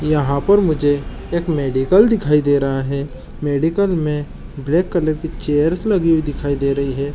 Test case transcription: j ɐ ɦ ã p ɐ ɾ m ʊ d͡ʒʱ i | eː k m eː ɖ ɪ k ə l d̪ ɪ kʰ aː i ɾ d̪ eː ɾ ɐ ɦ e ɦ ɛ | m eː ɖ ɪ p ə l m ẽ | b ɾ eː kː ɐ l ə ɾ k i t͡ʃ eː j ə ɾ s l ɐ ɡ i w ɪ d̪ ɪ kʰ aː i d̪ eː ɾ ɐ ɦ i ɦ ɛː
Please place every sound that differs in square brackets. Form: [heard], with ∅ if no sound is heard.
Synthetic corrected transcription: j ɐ ɦ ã p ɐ ɾ m ʊ d͡ʒʱ [e] | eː k m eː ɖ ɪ k ə l d̪ ɪ kʰ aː i [∅] d̪ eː ɾ ɐ ɦ [a] ɦ ɛ | m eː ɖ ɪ [k] ə l m ẽ | b [l] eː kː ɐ l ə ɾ k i t͡ʃ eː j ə ɾ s l ɐ ɡ i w [i] d̪ ɪ kʰ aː i d̪ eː ɾ ɐ ɦ i ɦ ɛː